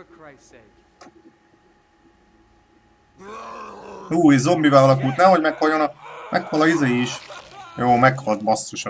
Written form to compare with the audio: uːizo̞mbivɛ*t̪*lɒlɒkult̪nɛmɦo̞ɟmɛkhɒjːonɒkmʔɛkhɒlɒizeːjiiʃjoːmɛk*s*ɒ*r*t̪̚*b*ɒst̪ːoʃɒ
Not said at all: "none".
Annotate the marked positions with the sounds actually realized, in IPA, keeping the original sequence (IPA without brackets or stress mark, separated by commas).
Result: none, h, l, b